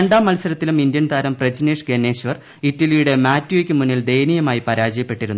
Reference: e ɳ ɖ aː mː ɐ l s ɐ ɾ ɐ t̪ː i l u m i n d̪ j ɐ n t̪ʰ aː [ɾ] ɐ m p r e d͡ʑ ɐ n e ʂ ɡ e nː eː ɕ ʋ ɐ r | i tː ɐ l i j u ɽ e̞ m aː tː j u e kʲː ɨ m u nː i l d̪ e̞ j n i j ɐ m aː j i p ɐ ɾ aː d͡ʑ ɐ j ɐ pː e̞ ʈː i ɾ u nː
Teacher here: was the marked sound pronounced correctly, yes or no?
yes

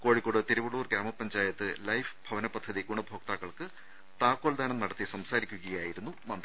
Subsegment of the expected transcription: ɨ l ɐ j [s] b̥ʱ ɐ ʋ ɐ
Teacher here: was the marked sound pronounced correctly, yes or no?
no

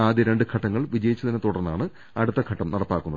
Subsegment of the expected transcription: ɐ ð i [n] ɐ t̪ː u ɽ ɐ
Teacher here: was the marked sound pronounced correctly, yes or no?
yes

